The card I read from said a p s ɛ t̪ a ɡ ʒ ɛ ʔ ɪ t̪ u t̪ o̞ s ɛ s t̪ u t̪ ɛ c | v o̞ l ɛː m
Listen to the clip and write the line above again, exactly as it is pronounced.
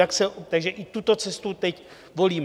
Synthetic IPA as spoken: a k s ɛ t̪ a ɡ ʒ ɛ ʔ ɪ t̪ u t̪ o̞ t͡s ɛ s t̪ u t̪ ɛ c | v o̞ l iː m